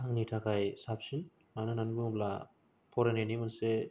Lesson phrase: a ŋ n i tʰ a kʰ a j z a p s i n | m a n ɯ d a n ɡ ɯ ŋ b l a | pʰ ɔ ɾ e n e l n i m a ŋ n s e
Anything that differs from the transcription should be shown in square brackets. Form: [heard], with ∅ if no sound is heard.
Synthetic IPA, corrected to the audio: a ŋ n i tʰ a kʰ a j [s] a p s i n | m a n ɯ [n] a n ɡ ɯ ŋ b l a | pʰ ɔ ɾ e n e [∅] n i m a [∅] n s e